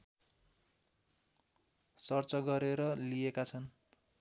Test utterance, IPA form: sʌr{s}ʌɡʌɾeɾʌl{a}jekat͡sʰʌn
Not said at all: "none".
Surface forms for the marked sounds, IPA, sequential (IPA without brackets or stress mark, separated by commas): t͡s, i